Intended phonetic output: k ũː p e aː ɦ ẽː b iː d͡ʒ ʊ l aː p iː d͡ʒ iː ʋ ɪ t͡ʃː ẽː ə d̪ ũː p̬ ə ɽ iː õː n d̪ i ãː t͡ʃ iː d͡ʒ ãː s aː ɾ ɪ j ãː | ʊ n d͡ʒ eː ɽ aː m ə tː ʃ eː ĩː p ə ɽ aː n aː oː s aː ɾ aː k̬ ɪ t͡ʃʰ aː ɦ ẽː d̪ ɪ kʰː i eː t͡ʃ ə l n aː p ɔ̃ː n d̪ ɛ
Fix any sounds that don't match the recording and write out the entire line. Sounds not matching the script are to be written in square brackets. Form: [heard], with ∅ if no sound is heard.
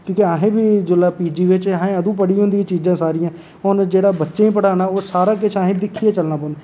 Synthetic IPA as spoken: k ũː [k] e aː ɦ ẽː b iː d͡ʒ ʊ l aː p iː d͡ʒ iː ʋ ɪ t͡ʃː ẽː ə d̪ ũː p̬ ə ɽ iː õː n d̪ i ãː t͡ʃ iː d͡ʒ ãː s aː ɾ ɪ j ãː | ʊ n d͡ʒ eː ɽ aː [b] ə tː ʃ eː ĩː p ə ɽ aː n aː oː s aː ɾ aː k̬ ɪ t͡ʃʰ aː ɦ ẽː d̪ ɪ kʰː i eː t͡ʃ ə l n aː p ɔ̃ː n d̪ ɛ